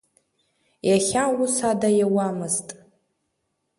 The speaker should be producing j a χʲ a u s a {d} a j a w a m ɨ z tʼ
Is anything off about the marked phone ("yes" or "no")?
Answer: no